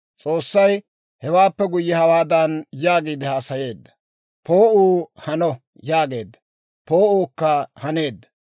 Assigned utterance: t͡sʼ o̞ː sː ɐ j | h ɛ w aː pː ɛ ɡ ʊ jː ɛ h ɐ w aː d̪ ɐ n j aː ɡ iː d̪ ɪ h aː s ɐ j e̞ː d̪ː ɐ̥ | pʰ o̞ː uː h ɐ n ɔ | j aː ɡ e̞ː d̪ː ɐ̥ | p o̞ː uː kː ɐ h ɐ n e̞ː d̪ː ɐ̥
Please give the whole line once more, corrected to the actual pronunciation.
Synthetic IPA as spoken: t͡sʼ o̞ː sː ɐ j | h ɛ w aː pː ɛ ɡ ʊ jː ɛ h ɐ w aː d̪ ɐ n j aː ɡ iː d̪ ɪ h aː s ɐ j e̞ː d̪ː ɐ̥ | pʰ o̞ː uː h ɐ n ɔ | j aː ɡ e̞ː d̪ː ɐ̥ | p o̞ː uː kː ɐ h ɐ n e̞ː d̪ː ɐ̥